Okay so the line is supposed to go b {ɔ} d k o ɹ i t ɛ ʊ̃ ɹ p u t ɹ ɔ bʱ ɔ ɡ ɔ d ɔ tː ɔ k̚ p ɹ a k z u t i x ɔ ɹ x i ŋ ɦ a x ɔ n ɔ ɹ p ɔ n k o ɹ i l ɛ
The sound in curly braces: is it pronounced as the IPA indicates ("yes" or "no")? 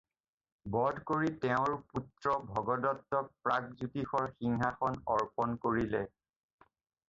yes